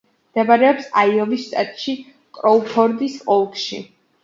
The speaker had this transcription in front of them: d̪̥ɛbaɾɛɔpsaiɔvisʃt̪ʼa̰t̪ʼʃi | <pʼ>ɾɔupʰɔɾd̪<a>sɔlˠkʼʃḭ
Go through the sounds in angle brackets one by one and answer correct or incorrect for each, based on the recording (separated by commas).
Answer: incorrect, incorrect